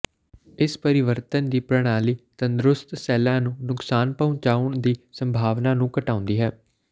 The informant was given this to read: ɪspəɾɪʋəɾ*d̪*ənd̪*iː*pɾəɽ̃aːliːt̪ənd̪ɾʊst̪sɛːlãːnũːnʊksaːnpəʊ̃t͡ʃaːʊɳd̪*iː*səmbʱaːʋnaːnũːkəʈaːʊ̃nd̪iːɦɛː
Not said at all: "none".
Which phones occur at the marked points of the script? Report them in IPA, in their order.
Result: t̪, iː, iː

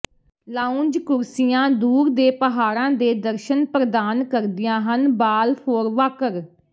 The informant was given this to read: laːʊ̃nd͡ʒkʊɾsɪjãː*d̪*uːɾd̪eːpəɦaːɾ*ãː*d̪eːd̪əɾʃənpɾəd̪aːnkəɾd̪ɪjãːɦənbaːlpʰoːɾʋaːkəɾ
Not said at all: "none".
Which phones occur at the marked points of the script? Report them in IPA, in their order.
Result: d̪, ãː

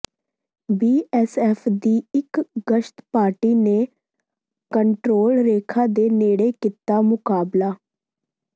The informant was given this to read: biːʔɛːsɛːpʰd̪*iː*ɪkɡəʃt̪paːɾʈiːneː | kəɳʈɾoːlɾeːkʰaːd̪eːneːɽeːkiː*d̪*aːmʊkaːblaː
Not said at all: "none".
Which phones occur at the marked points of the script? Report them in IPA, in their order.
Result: iː, t̪

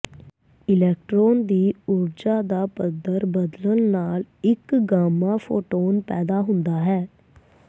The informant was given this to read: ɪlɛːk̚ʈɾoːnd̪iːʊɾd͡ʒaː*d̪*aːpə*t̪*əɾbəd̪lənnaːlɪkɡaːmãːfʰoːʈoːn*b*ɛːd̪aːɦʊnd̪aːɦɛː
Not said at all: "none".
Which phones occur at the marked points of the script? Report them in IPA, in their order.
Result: d̪, d̪, p

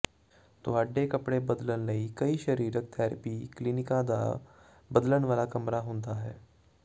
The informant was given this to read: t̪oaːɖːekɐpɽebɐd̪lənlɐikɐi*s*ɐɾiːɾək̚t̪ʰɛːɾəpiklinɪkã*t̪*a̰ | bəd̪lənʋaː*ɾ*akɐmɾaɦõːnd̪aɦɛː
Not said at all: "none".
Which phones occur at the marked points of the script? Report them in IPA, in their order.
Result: ʃ, d̪, l

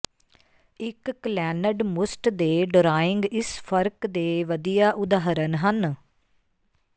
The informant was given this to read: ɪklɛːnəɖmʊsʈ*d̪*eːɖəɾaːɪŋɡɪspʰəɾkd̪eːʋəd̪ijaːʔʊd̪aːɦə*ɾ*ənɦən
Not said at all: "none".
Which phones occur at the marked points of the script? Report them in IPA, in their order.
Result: d̪, ɾ

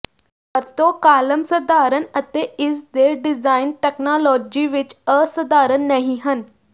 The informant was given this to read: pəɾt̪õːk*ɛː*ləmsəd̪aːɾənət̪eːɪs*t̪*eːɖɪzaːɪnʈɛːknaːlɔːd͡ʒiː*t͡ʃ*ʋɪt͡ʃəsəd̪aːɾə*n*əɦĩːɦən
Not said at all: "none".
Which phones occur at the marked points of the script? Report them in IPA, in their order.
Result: aː, d̪, none, nː

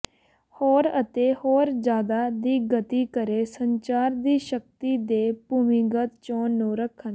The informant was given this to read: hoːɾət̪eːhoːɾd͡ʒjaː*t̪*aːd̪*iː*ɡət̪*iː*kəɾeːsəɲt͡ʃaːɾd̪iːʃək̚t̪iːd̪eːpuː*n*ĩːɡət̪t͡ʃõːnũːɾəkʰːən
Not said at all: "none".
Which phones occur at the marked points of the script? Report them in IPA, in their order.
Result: d̪, iː, iː, m

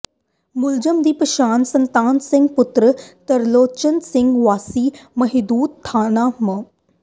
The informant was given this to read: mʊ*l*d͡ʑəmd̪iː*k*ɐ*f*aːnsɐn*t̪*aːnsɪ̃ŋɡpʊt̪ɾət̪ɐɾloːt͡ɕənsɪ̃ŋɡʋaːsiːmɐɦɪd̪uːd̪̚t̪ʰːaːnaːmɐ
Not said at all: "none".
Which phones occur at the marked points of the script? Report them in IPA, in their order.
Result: l, p, ʃ, t̪

